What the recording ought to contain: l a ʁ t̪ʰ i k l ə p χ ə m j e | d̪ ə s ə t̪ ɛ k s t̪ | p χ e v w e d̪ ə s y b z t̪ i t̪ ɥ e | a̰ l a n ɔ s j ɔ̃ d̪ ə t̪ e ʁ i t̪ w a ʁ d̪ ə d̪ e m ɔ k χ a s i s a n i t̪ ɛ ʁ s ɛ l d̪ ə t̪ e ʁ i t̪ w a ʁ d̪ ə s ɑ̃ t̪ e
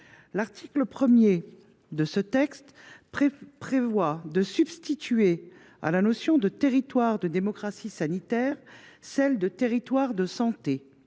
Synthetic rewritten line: l a ʁ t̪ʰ i k l ə p χ ə m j e | d̪ ə s ə t̪ ɛ k s t̪ | p χ e v w a d̪ ə s y b s t̪ i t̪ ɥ e | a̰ l a n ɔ s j ɔ̃ d̪ ə t̪ e ʁ i t̪ w a ʁ d̪ ə d̪ e m ɔ k χ a s i s a n i t̪ ɛ ʁ s ɛ l d̪ ə t̪ e ʁ i t̪ w a ʁ d̪ ə s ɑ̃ t̪ e